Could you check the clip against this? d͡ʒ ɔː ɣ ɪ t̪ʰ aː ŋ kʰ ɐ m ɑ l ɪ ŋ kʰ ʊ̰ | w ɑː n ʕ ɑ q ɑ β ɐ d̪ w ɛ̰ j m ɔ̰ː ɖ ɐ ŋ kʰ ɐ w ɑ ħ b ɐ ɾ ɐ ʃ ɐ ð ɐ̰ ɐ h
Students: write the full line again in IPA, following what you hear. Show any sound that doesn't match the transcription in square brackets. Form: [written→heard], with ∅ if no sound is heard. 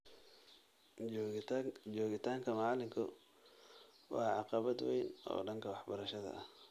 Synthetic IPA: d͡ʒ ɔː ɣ ɪ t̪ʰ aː ŋ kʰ ɐ m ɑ l ɪ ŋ kʰ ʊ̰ | w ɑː [n→∅] ʕ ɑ q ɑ β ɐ d̪ w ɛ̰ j [m→n] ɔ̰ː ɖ ɐ ŋ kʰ ɐ w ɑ ħ b ɐ ɾ ɐ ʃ ɐ ð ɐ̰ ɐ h